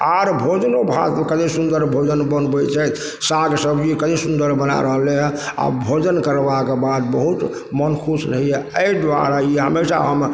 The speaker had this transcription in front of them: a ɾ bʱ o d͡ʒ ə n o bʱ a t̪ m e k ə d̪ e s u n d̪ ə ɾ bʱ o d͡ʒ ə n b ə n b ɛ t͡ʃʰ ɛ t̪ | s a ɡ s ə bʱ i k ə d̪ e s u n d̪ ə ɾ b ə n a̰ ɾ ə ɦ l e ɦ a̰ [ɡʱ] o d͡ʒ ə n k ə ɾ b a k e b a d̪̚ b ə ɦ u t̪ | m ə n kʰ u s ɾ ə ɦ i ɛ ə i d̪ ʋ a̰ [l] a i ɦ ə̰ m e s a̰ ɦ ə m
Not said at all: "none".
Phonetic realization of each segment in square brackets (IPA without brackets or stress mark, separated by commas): bʱ, ɾ